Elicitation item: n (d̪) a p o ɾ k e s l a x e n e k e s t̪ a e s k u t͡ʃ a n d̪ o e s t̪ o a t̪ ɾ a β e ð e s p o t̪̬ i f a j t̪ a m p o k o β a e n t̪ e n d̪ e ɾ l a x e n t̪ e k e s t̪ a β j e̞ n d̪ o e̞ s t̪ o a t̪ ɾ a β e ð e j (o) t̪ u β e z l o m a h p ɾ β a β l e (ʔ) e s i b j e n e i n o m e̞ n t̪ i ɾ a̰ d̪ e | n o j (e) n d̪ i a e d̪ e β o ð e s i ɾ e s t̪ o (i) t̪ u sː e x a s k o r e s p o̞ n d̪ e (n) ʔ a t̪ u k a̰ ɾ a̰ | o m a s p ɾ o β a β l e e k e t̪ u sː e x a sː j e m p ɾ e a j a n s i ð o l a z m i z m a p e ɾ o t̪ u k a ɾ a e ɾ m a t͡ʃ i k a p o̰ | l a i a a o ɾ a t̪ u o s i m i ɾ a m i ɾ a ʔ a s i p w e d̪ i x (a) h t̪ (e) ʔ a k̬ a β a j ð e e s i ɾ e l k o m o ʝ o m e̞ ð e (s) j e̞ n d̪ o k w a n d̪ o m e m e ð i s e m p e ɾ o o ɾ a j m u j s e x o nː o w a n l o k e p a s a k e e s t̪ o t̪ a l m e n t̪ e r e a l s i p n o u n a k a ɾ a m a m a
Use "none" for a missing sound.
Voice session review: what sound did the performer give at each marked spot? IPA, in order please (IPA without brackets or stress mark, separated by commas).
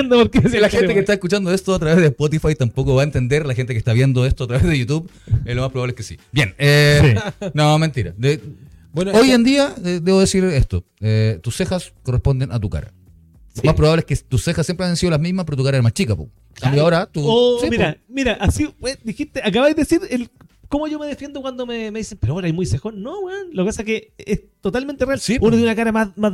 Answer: d̪, u, k, e, e, n, i, e, f